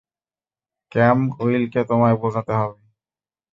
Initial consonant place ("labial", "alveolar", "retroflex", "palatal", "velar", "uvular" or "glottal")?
velar